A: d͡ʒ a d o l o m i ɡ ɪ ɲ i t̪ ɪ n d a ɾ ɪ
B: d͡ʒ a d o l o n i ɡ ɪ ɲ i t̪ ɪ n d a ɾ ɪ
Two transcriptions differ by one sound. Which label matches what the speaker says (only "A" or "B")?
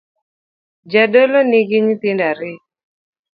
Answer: B